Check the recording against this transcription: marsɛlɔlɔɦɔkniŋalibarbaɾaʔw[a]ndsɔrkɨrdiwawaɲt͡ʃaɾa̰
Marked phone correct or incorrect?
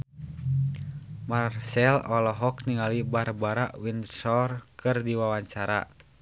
incorrect